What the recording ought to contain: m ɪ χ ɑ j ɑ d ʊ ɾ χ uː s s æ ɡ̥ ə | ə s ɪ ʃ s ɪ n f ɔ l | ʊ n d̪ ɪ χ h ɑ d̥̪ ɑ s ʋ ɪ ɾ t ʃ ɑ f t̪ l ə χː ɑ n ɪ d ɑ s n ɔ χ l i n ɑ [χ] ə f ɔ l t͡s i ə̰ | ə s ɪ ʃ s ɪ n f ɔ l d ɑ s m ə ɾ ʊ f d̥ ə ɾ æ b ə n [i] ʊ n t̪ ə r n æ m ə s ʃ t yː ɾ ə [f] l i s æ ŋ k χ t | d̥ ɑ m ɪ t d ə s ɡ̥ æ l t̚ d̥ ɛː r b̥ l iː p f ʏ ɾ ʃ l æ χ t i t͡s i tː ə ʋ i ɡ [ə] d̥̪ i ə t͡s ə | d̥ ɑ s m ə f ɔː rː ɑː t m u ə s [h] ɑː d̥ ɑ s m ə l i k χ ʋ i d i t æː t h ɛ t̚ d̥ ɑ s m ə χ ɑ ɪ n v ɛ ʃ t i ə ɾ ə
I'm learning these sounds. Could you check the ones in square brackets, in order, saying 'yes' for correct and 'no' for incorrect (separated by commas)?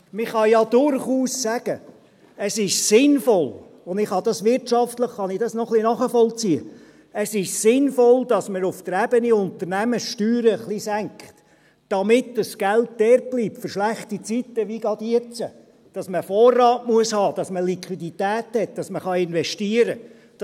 yes, yes, no, no, yes